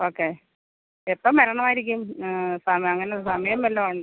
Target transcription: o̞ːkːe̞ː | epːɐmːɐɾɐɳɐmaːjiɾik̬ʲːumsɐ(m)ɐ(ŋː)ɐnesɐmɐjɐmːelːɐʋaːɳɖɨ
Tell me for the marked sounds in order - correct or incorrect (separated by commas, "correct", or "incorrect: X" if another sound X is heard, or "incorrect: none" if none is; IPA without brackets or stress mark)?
correct, correct